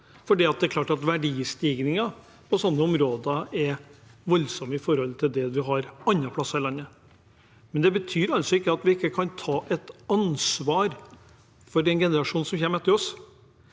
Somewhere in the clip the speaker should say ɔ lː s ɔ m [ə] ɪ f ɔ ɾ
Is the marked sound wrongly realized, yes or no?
no